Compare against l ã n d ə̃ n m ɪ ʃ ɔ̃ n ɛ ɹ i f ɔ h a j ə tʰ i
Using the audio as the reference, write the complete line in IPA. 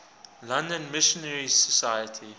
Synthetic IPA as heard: l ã n d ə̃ n m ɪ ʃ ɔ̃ n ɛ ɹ i s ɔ s a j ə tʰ i